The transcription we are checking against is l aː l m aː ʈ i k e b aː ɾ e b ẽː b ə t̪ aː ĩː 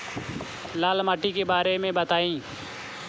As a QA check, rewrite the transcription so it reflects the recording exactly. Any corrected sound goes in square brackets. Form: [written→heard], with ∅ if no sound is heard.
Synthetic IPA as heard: l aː l m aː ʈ i k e b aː ɾ e [b→m] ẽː b ə t̪ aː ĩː